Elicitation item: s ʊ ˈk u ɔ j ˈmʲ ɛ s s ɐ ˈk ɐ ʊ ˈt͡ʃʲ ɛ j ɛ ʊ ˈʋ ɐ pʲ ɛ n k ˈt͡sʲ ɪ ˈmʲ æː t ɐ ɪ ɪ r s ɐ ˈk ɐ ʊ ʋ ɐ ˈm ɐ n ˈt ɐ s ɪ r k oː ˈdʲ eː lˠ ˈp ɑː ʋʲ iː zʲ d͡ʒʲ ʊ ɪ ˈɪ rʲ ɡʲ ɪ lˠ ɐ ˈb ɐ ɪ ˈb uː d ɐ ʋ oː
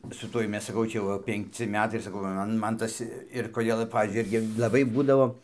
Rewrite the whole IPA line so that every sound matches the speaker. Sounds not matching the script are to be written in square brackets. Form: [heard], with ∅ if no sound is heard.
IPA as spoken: s ʊ [ˈt] u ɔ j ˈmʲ ɛ s s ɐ ˈk ɐ ʊ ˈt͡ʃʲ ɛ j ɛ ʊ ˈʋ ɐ pʲ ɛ [ŋ] k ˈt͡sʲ ɪ ˈmʲ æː t ɐ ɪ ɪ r s ɐ ˈk ɐ ʊ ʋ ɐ ˈm ɐ n ˈt ɐ s ɪ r k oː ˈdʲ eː lˠ ˈp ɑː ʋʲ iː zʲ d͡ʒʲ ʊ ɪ ˈɪ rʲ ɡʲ ɪ lˠ ɐ ˈb ɐ ɪ ˈb uː d ɐ ʋ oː